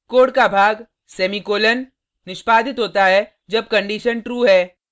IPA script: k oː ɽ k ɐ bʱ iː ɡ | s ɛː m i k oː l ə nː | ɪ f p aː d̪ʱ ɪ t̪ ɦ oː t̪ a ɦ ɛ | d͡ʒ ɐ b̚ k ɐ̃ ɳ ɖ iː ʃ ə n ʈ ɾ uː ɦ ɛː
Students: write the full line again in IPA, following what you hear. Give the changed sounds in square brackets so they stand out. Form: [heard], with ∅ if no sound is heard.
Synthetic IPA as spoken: k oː ɽ k [a] bʱ [aː] ɡ | s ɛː m i k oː l ə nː | ɪ [ʃ] p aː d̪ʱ ɪ t̪ ɦ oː t̪ a ɦ ɛ | d͡ʒ ɐ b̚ k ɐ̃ ɳ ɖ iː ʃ ə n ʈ ɾ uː ɦ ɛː